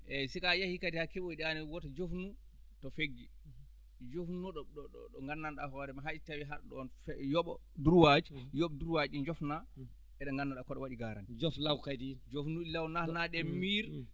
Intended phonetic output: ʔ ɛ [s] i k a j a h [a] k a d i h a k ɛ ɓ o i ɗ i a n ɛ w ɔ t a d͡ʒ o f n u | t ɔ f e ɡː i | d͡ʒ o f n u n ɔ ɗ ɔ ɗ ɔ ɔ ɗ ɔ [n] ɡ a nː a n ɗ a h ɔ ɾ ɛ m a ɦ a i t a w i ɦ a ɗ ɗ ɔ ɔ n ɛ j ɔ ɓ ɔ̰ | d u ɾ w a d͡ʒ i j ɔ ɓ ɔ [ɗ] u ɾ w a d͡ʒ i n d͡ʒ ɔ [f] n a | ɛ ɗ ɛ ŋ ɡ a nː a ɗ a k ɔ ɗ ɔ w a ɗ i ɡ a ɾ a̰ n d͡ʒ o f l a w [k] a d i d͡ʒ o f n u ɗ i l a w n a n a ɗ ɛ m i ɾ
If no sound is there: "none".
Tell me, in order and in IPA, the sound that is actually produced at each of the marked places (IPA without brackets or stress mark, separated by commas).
s, i, ŋ, d, f, k